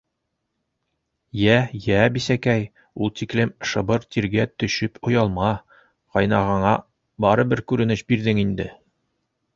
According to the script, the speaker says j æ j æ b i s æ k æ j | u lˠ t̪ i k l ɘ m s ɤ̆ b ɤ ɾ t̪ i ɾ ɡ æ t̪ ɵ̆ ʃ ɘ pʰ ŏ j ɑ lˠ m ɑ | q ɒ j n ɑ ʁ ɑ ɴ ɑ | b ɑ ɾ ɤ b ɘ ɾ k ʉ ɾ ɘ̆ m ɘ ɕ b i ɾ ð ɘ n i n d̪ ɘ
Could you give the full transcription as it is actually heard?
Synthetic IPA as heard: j æ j æ b i s æ k æ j | u lˠ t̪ i k l ɘ m ʃ ɤ̆ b ɤ ɾ t̪ i ɾ ɡ æ t̪ ɵ̆ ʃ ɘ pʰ ŏ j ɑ lˠ m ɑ | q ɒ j n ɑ ʁ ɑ ɴ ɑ | b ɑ ɾ ɤ b ɘ ɾ k ʉ ɾ ɘ̆ n ɘ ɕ b i ɾ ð ɘ ŋ i n d̪ ɘ